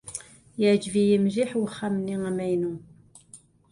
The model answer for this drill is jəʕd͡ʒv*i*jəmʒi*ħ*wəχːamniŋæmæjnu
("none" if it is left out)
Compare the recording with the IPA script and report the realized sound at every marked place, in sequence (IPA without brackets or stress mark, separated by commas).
i, ħ